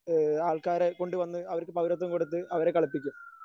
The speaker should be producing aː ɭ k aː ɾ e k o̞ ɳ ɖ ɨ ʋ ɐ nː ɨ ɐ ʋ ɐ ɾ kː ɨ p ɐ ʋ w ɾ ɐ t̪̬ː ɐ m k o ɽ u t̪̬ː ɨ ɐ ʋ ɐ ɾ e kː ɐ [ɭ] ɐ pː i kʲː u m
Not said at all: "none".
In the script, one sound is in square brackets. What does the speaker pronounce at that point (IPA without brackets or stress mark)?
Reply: ɭ